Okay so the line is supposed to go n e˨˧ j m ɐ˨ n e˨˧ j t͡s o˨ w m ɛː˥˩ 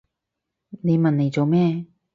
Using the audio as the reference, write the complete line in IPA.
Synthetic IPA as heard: n e˨˧ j m ɐ˨ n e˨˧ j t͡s o˨ w m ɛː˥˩